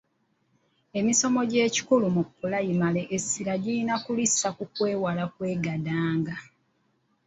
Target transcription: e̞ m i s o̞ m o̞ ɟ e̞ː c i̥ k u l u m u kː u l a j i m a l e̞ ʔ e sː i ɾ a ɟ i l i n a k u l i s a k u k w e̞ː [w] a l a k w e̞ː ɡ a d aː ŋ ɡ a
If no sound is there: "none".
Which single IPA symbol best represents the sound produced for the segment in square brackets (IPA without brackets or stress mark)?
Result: w